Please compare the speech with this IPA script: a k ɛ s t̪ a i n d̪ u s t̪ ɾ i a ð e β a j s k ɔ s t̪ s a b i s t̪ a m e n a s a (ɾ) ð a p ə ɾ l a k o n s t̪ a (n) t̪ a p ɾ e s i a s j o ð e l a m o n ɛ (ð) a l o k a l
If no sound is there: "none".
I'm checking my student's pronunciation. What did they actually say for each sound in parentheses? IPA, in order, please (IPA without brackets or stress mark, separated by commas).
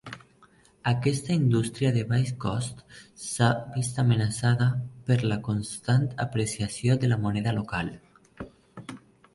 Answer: none, n, ð